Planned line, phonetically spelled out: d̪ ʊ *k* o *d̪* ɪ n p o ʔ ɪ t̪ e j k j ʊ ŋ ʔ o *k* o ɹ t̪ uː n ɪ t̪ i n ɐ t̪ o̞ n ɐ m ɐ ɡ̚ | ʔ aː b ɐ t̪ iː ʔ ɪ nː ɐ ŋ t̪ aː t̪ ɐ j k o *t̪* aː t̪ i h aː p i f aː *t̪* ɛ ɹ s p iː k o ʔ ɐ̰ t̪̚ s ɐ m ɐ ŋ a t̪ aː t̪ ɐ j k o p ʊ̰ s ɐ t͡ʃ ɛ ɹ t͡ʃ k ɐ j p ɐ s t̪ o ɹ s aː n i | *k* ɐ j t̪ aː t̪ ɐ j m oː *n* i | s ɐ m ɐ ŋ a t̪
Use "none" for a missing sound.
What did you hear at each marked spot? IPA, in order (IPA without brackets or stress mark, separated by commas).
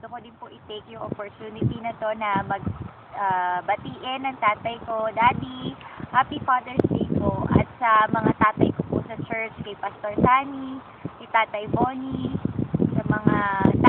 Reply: k, d̪, p, d̪, d̪, k, n